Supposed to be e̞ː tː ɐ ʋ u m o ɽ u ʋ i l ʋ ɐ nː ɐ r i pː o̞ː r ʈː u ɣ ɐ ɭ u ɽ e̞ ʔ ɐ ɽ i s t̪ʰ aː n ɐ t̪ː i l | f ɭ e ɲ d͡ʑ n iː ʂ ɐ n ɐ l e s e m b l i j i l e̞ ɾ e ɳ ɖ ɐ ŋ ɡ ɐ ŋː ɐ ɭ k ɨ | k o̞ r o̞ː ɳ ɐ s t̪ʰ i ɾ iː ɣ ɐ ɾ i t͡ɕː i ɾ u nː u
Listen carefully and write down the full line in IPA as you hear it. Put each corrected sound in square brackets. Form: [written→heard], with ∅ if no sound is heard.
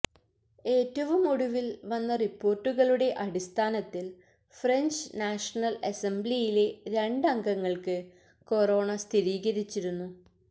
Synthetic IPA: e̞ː tː ɐ ʋ u m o ɽ u ʋ i l ʋ ɐ nː ɐ r i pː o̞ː r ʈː u ɣ ɐ ɭ u ɽ e̞ ʔ ɐ ɽ i s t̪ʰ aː n ɐ t̪ː i l | f [ɭ→r] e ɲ d͡ʑ n [iː→aː] ʂ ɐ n ɐ l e s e m b l i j i l e̞ ɾ e ɳ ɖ ɐ ŋ ɡ ɐ ŋː ɐ ɭ k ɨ | k o̞ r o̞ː ɳ ɐ s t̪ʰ i ɾ iː ɣ ɐ ɾ i t͡ɕː i ɾ u nː u